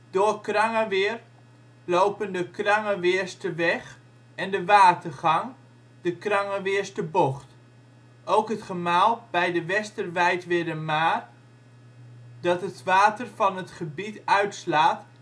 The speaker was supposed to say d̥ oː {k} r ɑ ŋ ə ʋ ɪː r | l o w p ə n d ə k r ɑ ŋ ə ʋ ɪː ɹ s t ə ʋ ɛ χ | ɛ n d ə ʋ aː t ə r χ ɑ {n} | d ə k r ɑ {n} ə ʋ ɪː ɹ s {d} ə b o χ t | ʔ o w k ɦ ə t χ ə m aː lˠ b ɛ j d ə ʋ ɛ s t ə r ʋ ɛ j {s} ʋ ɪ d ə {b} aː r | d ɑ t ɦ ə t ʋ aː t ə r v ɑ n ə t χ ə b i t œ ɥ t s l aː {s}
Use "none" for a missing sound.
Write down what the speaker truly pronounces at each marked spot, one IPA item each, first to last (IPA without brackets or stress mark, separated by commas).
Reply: k, ŋ, ŋ, t, t, m, t